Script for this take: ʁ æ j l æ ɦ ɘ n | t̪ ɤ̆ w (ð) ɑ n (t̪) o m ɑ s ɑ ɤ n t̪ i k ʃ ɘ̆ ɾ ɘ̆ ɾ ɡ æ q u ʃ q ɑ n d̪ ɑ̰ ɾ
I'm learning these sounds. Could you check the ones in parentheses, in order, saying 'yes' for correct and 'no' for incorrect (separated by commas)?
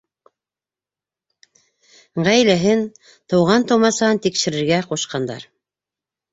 no, yes